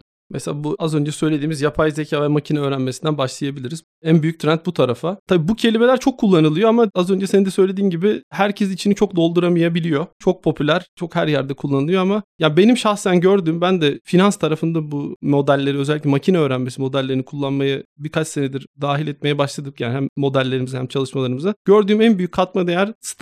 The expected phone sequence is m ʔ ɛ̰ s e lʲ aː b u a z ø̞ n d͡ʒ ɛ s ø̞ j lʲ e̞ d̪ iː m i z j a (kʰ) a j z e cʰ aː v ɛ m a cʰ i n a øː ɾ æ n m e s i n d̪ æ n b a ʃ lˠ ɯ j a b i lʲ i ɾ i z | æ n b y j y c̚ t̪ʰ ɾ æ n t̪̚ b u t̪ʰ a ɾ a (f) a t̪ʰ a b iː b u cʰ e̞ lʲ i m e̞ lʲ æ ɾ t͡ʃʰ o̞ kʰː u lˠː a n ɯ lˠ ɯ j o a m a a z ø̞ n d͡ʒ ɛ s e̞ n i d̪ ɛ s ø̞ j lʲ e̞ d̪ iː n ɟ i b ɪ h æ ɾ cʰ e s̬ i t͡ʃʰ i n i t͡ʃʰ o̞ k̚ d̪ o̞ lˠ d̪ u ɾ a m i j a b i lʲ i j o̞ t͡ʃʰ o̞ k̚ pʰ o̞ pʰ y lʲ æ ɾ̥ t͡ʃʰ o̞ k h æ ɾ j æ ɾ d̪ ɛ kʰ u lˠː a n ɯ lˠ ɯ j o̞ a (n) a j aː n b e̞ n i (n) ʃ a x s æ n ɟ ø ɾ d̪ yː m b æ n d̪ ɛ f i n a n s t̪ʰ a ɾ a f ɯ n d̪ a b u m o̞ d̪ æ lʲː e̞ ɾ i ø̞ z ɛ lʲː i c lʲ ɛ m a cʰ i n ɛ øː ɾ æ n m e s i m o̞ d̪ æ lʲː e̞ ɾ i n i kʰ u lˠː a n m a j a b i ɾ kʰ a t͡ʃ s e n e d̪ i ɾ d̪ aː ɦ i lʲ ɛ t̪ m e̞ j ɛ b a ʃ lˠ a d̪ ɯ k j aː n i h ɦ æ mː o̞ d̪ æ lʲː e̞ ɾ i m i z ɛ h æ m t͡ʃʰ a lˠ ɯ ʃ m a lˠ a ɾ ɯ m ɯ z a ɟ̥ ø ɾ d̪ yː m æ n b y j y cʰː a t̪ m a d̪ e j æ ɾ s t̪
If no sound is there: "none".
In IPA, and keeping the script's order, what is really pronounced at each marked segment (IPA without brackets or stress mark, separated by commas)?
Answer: pʰ, f, m, m